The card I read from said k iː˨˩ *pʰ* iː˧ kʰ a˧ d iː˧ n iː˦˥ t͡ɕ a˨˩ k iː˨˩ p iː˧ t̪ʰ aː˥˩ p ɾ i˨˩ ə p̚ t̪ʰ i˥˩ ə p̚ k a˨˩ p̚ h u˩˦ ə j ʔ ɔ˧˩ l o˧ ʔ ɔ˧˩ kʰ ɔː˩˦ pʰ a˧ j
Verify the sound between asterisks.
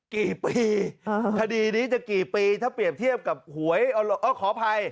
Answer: incorrect: p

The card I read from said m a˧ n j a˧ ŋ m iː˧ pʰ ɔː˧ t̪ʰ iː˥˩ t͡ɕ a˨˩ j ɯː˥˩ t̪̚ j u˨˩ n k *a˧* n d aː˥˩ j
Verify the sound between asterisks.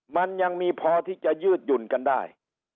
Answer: correct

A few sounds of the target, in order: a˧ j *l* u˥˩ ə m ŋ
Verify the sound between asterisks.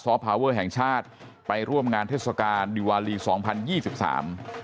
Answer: incorrect: ɾ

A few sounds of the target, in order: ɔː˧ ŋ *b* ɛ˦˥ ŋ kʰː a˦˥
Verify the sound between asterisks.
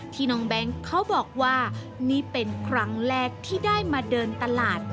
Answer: correct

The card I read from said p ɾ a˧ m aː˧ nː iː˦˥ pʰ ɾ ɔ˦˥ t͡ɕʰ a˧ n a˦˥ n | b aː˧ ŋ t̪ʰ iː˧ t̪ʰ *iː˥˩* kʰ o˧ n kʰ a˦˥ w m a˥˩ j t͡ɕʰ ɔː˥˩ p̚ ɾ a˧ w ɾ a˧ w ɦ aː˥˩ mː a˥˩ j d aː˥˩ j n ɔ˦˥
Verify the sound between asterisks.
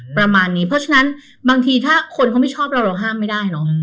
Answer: incorrect: aː˥˩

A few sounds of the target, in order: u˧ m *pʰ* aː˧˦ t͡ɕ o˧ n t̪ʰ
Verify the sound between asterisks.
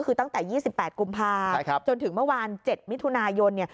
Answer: correct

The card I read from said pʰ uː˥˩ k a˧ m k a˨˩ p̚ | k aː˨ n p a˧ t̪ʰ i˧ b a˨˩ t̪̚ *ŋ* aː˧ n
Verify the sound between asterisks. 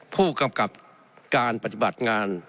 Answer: correct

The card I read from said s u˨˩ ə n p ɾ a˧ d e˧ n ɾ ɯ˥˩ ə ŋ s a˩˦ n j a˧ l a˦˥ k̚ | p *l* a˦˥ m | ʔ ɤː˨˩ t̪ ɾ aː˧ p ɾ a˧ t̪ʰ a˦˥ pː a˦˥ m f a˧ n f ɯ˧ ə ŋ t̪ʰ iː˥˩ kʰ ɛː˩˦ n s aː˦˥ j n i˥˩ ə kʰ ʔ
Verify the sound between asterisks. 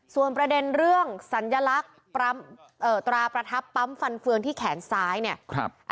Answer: incorrect: ɾ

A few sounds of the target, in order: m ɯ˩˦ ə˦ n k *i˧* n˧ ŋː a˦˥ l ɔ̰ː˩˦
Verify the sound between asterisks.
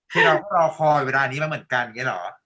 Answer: incorrect: a˧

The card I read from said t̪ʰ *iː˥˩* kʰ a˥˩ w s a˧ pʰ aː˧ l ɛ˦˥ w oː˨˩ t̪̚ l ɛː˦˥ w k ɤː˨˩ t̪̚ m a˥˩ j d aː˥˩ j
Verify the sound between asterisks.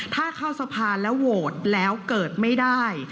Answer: incorrect: aː˥˩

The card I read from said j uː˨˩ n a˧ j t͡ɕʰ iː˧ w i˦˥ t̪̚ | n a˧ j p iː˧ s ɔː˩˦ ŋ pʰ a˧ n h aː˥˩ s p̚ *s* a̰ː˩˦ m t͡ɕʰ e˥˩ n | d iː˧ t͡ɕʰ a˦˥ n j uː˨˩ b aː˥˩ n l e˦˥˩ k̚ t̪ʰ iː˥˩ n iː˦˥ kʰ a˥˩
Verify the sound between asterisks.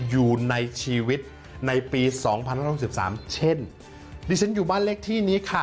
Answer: correct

